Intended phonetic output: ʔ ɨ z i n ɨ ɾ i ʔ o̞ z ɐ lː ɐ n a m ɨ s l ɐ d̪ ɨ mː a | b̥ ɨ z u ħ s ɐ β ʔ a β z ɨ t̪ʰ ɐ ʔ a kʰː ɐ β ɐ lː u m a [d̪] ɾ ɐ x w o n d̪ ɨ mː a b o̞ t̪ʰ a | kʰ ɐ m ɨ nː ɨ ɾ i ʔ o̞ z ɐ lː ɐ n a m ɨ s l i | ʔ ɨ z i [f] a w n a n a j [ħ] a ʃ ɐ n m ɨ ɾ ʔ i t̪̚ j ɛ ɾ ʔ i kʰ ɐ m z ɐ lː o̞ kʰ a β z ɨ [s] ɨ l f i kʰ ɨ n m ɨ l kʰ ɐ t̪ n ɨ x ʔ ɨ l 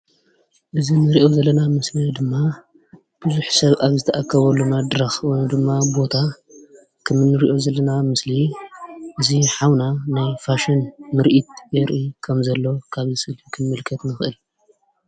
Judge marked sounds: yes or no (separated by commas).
yes, no, no, yes